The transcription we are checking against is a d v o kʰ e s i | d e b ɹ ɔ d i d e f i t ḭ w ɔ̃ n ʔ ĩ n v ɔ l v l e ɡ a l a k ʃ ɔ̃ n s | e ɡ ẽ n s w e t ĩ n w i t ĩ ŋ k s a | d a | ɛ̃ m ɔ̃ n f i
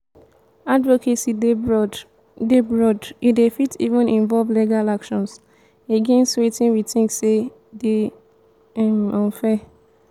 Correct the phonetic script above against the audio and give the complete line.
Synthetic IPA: a d v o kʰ e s i | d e b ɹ ɔ d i d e f i t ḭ v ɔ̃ n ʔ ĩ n v ɔ l v l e ɡ a l a k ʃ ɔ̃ n s | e ɡ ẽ n s w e t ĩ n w i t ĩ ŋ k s e | d e | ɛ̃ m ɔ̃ n f ɛ